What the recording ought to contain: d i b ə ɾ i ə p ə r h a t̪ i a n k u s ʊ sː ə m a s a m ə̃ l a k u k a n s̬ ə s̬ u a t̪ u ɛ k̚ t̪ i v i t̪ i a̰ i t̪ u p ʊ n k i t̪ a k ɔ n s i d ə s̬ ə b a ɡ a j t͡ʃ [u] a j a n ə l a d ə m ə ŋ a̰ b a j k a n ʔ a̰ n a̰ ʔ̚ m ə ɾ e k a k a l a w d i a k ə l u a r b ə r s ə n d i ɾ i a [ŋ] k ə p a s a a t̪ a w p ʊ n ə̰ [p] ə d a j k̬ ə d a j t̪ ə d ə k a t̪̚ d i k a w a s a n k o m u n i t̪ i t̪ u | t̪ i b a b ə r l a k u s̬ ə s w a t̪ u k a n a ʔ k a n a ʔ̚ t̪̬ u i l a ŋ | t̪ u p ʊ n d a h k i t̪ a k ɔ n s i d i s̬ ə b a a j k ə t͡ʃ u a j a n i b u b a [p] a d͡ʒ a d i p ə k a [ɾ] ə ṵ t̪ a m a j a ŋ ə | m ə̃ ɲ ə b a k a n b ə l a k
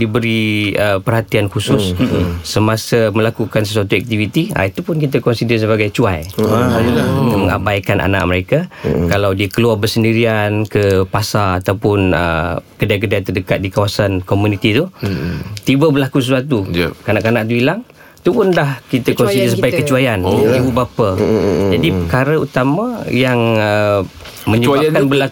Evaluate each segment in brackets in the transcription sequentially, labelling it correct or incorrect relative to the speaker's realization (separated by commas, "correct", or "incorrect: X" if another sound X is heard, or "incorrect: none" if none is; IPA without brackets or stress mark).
correct, incorrect: n, incorrect: k, correct, correct